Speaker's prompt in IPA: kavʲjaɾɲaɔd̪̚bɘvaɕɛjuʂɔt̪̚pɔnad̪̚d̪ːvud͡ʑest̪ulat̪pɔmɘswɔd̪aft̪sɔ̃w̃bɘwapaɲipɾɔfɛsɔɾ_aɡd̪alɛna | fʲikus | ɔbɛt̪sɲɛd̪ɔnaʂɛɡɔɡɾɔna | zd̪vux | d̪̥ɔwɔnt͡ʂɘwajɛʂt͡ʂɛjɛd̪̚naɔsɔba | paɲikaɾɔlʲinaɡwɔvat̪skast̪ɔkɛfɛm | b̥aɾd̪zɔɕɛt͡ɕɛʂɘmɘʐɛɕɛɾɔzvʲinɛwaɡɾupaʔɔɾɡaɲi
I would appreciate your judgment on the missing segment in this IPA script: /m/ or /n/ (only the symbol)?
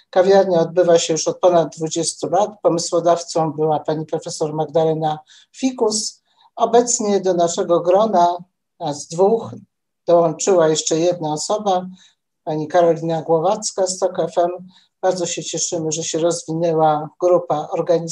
m